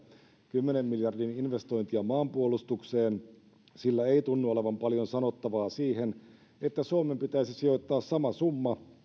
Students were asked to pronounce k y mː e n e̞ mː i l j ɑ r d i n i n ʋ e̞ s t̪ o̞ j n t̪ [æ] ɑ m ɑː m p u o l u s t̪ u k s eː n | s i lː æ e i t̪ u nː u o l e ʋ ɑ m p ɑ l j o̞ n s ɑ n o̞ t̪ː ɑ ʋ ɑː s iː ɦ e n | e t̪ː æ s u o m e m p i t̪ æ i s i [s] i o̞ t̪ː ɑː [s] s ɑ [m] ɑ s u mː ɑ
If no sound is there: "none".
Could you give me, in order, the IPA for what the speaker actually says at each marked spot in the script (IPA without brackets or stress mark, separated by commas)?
i, s, s, m